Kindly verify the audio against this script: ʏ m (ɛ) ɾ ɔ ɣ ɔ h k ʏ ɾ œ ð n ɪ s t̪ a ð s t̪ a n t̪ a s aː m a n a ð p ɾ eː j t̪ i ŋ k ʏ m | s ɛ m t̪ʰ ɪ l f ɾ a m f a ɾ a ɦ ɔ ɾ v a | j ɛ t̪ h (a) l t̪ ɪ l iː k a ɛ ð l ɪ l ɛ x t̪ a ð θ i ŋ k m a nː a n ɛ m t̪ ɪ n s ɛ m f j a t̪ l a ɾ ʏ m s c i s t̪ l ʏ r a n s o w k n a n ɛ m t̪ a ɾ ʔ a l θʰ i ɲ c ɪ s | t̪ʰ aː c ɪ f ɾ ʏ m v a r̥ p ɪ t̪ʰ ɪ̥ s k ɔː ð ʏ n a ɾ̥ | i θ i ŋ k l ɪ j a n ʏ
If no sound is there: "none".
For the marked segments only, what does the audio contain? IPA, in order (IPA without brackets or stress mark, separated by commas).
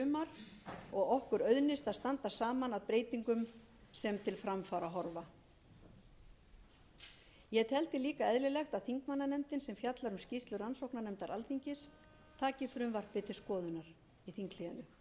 a, ɛ